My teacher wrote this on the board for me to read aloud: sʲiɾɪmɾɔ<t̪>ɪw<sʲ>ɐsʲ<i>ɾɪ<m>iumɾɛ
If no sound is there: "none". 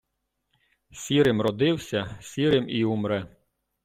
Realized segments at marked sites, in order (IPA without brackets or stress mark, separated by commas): d̪, sʲ, i, m